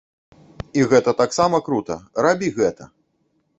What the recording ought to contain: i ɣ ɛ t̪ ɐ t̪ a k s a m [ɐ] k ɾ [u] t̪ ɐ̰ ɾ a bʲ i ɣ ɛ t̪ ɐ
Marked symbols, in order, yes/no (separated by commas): yes, yes